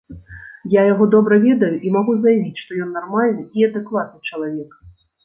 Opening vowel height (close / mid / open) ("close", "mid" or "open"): open